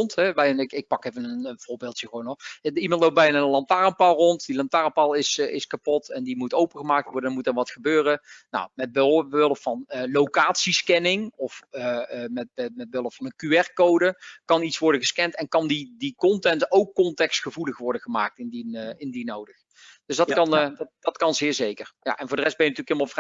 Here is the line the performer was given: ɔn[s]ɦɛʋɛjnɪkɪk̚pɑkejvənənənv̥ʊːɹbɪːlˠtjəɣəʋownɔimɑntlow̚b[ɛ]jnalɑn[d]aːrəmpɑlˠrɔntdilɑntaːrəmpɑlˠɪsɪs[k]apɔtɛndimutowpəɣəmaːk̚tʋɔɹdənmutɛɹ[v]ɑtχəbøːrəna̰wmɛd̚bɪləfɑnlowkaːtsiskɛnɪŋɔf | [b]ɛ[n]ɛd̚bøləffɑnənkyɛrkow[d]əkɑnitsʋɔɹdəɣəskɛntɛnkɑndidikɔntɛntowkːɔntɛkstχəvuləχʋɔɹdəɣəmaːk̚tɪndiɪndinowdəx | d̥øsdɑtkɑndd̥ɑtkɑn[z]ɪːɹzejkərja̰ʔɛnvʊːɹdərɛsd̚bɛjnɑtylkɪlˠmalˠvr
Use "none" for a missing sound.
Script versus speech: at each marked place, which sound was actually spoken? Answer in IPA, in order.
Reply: t, ɛ, t, k, ʋ, m, m, d, z

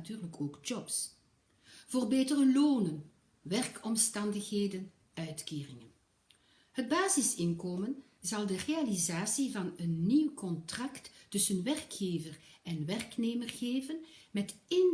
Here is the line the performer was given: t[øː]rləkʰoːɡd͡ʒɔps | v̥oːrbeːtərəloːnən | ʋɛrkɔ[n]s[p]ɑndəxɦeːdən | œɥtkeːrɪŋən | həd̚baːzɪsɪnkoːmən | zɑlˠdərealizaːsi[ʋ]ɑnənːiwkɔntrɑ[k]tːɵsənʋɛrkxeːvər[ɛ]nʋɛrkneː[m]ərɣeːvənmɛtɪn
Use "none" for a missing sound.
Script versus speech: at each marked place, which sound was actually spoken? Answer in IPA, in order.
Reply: yː, m, t, v, k, ɛ, m

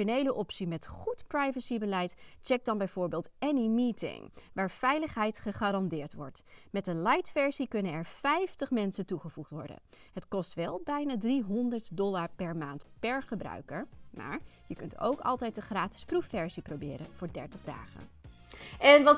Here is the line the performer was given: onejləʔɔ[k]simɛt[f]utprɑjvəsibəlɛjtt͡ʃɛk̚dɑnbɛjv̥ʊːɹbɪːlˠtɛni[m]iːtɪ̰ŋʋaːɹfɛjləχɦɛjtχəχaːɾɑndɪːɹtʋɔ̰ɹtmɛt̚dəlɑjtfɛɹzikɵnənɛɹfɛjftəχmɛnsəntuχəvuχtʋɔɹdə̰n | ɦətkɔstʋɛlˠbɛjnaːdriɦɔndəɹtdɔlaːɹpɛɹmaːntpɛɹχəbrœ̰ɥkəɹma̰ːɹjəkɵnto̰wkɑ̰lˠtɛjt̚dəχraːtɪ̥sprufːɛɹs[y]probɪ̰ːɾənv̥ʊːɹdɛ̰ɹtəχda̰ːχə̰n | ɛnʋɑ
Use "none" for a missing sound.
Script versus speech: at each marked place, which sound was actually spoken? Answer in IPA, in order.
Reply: p, χ, m, i

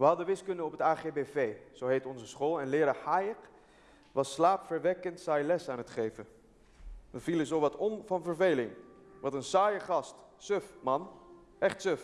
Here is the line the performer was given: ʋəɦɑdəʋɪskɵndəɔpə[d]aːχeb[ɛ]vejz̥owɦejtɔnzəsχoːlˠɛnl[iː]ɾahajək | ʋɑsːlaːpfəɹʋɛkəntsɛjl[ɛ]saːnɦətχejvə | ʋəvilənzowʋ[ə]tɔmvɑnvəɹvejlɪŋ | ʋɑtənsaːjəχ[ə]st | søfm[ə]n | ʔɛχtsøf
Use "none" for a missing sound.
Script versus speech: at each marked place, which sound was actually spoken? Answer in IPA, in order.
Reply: t, e, ɪː, ɛ, ɑ, ɑ, ɑ

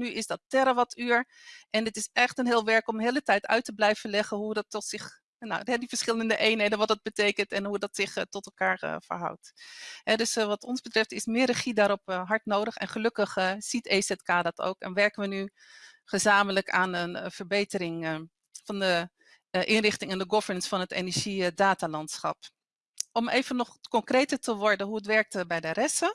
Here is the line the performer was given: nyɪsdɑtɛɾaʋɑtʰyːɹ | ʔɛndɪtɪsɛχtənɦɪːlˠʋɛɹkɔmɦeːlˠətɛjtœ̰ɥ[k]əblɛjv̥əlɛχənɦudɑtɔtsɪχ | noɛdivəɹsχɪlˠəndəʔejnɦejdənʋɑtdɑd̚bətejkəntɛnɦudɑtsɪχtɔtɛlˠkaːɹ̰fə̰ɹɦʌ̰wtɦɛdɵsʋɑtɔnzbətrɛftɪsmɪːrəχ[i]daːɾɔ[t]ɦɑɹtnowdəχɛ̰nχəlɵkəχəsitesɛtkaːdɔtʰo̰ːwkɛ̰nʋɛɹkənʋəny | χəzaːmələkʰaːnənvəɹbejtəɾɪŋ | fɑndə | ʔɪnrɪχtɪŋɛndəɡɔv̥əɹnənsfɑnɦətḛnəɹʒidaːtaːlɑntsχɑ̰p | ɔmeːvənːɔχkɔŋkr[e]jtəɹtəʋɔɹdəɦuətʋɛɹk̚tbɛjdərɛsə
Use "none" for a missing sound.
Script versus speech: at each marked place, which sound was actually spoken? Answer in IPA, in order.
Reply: t, i, p, e

